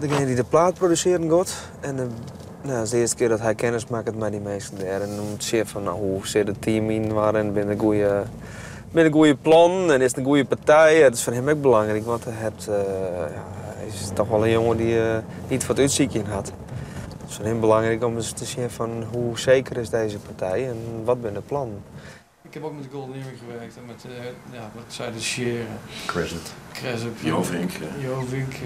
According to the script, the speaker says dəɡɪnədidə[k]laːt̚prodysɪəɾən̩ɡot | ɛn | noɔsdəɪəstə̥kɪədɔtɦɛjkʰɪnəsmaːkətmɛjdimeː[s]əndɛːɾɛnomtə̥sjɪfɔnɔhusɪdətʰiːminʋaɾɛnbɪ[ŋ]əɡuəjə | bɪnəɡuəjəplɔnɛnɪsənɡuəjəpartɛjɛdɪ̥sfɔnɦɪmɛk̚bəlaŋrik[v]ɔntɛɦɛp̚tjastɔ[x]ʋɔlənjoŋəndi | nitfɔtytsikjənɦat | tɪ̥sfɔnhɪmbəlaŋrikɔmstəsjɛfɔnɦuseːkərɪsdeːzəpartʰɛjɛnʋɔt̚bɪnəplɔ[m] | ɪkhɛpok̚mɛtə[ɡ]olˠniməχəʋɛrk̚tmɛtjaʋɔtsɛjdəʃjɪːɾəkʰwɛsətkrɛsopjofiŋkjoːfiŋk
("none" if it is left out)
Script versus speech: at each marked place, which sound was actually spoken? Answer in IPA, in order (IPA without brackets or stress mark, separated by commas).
p, s, n, ʋ, x, n, ɡ